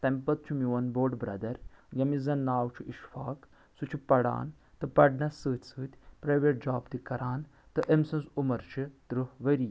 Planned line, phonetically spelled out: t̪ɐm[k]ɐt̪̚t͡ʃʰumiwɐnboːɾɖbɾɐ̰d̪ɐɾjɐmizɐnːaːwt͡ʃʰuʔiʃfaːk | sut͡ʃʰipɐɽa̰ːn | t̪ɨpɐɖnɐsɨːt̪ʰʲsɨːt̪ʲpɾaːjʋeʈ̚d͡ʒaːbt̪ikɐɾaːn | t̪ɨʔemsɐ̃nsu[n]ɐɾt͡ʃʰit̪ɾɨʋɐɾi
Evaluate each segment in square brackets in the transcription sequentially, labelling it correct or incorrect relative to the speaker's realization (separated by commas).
incorrect, incorrect